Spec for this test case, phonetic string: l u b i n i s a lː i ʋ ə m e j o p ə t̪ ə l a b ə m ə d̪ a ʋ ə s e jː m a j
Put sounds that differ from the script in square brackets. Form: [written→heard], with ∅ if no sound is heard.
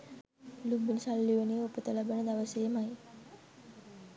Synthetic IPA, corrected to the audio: l u b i n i s a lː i ʋ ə [m→n] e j o p ə t̪ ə l a b ə [m→n] ə d̪ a ʋ ə s e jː m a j